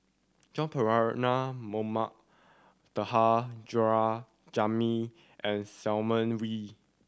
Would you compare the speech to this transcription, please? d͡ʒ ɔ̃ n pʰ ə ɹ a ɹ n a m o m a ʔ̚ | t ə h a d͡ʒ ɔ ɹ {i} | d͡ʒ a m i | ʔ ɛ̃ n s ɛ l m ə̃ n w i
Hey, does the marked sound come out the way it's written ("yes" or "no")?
no